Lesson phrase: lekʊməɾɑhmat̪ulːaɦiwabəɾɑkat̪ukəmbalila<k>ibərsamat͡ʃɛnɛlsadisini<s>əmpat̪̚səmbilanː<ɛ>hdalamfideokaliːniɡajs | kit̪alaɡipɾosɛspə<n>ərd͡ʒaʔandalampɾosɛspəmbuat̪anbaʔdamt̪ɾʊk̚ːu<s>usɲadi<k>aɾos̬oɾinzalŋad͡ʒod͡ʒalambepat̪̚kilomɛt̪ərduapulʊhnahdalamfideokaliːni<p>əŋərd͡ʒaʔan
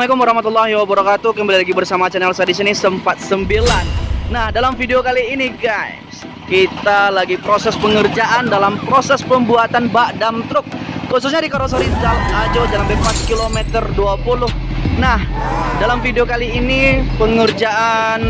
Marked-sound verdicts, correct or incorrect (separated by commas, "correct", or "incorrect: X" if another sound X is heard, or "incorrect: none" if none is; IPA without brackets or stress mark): incorrect: ɡ, correct, incorrect: a, incorrect: ŋ, correct, correct, correct